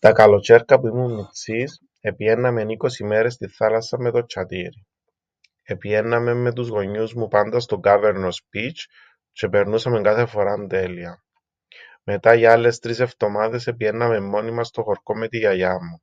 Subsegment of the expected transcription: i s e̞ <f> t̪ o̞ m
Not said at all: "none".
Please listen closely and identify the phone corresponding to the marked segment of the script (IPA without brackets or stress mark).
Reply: f